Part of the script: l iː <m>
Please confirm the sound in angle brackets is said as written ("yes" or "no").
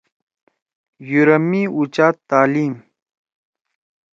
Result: yes